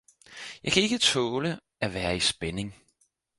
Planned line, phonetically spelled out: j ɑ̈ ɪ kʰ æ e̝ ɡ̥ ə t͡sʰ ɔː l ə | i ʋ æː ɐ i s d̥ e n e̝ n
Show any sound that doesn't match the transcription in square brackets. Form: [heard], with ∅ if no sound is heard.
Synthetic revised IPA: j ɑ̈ ɪ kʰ æ e̝ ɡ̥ ə t͡sʰ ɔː l ə | [æ] ʋ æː ɐ i s [b̥] e n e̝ [ŋ]